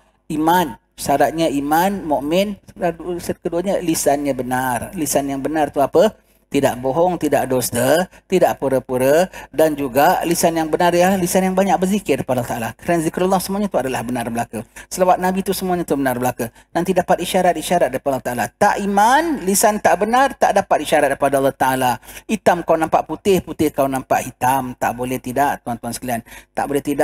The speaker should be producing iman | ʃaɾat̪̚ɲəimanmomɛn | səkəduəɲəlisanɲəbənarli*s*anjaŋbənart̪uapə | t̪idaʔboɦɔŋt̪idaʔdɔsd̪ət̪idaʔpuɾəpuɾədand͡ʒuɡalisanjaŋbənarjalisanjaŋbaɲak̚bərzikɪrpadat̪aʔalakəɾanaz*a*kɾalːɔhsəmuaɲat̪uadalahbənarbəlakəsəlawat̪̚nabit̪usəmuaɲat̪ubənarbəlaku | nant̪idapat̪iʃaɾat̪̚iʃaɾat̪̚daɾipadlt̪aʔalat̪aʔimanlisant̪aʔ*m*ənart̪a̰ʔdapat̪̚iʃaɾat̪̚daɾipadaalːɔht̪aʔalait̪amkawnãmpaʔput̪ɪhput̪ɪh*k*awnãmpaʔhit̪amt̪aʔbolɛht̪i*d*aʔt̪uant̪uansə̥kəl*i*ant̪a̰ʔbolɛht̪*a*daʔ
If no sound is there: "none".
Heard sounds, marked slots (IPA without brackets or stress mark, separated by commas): s, i, b, k, d, i, i